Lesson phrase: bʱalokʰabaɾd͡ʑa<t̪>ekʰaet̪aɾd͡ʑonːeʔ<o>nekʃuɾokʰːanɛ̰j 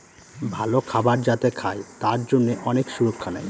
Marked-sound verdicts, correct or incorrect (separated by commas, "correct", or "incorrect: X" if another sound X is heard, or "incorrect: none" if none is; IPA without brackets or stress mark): correct, incorrect: ɔ